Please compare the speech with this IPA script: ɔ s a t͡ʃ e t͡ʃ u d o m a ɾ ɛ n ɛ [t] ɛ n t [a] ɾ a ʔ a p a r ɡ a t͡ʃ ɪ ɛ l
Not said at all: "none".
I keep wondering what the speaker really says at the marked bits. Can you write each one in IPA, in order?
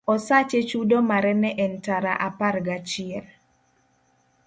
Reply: ʔ, a

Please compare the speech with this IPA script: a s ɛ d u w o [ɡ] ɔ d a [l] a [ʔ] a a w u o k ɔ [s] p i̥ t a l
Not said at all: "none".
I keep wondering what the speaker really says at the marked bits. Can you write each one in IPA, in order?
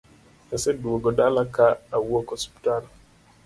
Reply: ɡ, l, k, s

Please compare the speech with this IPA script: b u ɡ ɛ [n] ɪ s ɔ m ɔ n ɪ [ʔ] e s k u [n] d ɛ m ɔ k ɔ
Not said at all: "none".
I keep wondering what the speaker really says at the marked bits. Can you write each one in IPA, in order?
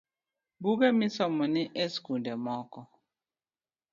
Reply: m, ʔ, n

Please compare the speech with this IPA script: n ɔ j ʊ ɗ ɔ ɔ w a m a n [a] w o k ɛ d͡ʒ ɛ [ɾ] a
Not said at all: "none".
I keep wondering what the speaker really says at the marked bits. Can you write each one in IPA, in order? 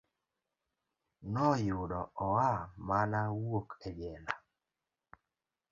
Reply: a, l

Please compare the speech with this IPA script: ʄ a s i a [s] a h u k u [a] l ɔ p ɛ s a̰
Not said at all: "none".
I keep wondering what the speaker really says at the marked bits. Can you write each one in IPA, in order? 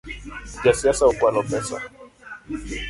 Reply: s, a

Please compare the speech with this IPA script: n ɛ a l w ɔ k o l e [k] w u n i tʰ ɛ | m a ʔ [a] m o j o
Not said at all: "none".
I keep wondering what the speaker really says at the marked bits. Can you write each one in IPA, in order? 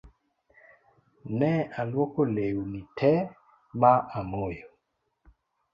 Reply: none, a

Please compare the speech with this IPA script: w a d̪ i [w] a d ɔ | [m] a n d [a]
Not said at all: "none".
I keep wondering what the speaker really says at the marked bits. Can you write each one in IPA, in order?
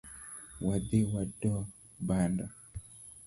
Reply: w, b, a

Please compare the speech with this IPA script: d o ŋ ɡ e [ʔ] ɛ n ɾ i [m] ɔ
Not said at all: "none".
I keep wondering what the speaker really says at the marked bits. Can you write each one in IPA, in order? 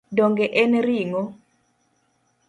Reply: ʔ, ŋ

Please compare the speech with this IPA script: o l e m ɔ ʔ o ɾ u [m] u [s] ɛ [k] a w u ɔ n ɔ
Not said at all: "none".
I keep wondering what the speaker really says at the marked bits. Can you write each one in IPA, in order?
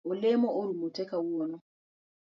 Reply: m, t, k

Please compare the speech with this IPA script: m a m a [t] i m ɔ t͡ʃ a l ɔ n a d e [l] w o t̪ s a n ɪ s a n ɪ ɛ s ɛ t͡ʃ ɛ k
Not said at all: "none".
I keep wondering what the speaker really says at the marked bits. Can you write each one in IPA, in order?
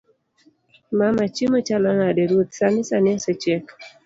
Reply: t͡ʃ, ɾ

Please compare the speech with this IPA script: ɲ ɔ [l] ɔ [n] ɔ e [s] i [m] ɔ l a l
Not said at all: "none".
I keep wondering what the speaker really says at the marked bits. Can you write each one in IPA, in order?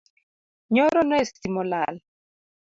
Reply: ɾ, n, s, m

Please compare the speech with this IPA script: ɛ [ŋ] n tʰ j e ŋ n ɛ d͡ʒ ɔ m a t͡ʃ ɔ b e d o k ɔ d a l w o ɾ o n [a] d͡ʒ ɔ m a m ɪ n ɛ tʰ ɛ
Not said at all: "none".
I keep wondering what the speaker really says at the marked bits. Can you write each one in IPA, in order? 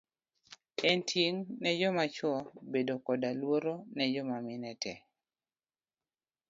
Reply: none, ɛ

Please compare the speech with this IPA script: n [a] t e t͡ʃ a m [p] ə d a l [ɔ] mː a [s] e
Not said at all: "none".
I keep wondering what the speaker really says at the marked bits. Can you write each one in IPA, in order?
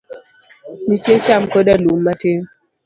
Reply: i, k, u, t

